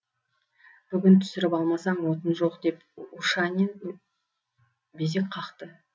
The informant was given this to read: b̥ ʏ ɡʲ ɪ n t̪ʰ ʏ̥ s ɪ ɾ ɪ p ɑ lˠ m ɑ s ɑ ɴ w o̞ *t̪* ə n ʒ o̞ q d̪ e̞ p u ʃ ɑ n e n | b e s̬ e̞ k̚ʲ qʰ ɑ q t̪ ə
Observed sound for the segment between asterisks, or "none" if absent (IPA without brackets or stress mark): t̪